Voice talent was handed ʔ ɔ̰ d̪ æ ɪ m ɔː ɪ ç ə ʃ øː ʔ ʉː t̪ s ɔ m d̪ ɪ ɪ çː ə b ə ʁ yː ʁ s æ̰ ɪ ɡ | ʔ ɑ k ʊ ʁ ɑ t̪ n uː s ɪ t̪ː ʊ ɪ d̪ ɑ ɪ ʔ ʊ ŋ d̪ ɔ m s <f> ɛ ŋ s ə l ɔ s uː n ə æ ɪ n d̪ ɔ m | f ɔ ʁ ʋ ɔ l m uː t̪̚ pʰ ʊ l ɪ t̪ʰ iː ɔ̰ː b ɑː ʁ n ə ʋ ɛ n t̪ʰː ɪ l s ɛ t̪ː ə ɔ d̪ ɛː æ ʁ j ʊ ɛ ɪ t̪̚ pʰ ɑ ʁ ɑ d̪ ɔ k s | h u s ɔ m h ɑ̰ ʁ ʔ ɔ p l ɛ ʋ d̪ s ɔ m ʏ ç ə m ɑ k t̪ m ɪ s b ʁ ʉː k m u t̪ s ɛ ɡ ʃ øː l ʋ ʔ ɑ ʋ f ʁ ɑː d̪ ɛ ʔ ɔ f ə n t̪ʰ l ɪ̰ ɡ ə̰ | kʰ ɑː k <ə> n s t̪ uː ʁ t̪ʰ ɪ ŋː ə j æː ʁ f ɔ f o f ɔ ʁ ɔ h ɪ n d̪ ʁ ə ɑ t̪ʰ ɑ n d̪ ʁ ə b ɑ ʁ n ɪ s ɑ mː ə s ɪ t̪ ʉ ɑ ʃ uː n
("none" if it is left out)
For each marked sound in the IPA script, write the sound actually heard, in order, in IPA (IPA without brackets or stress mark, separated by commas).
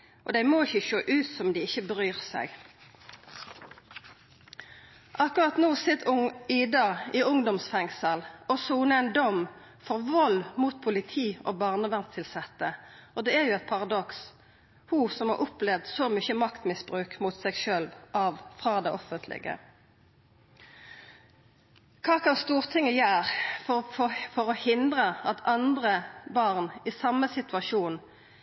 f, ɑ